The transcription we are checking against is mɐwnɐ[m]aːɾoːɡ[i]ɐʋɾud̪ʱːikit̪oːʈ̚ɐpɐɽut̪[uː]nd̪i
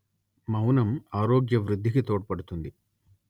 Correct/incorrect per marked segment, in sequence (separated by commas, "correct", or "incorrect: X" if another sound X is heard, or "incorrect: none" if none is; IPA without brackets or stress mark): correct, incorrect: j, incorrect: u